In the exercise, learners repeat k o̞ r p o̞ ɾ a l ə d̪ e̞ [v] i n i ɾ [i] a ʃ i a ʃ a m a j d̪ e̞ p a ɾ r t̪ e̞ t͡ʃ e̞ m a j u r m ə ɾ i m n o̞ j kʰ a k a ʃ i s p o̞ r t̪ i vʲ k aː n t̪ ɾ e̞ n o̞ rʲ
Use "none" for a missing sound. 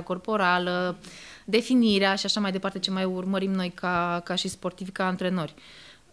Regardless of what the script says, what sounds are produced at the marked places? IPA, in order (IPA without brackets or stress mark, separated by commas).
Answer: f, e